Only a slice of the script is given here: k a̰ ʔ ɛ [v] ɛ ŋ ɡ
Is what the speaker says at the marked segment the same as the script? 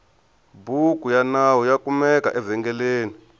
yes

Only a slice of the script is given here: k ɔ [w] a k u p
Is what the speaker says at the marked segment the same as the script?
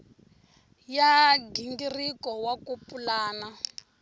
yes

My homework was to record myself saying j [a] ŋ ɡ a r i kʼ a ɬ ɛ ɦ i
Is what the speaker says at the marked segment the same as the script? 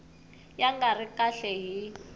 yes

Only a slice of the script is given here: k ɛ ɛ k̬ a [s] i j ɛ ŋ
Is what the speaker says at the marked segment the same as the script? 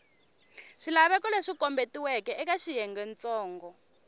no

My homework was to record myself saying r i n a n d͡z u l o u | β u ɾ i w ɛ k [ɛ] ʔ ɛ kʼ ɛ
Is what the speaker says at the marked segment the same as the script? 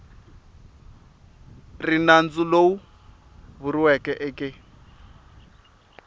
yes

